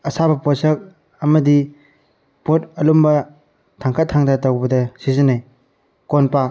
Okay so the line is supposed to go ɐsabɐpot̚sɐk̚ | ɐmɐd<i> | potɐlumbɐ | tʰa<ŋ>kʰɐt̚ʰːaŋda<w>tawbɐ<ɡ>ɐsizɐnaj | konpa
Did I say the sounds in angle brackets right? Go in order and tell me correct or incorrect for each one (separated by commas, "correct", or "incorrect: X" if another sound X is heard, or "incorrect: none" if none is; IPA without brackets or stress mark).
correct, correct, incorrect: none, incorrect: d